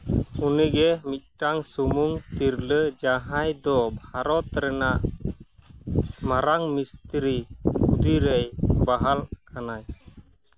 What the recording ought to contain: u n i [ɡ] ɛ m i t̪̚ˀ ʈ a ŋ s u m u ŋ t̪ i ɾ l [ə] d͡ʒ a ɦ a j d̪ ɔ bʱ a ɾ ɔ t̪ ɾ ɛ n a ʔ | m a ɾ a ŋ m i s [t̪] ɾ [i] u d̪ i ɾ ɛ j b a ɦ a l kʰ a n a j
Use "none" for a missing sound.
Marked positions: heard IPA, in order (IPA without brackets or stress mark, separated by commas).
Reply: ɡ, ə, t̪, i